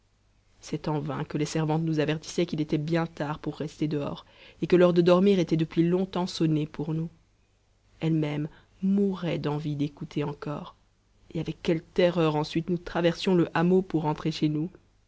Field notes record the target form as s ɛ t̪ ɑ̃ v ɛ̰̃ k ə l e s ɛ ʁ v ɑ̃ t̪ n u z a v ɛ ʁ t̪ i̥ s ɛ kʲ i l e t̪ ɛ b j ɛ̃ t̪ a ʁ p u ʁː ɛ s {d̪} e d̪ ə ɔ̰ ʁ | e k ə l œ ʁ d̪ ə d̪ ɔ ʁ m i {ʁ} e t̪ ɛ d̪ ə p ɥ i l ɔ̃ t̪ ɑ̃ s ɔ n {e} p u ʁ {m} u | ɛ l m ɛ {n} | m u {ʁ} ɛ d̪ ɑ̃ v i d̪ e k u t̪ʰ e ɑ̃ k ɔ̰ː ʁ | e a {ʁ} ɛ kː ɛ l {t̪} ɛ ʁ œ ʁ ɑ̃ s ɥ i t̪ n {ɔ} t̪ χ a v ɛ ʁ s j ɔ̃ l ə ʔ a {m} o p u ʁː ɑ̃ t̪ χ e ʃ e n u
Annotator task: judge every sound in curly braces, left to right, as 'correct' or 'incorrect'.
incorrect: t̪, correct, correct, incorrect: n, incorrect: m, correct, incorrect: v, correct, incorrect: u, correct

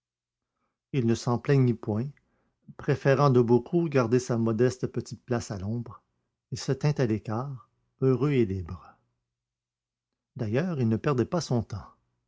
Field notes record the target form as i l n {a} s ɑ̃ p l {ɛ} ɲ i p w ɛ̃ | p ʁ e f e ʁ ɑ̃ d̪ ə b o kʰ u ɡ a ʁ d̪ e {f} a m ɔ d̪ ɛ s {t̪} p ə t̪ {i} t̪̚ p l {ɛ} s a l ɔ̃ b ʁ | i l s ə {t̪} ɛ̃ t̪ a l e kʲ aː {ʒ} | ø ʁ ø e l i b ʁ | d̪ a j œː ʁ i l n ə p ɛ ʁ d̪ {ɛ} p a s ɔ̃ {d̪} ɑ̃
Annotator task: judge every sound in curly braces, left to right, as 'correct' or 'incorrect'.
incorrect: ə, correct, incorrect: s, correct, correct, incorrect: a, correct, incorrect: ʁ, correct, incorrect: t̪

